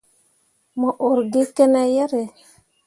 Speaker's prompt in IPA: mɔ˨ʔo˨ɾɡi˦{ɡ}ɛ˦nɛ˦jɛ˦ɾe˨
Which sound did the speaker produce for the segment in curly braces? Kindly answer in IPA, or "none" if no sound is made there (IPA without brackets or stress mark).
k